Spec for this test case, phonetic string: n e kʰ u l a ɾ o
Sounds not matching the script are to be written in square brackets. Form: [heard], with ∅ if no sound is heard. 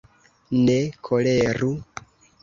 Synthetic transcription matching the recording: n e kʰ [o] l [e] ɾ [u]